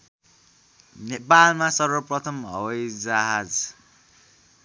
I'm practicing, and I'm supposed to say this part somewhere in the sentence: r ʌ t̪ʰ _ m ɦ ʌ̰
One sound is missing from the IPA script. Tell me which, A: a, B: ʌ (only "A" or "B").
B